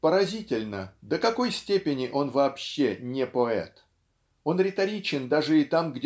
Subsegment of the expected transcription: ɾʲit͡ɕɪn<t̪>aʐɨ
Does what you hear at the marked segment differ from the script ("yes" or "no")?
yes